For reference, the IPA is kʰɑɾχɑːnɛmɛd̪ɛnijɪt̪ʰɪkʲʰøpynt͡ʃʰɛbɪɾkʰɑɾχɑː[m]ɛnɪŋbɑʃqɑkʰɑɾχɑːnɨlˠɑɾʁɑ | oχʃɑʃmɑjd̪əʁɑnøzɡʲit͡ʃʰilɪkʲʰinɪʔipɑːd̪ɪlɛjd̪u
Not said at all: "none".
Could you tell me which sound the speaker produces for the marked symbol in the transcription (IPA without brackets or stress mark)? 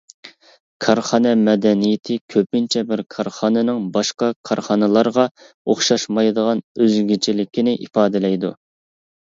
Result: n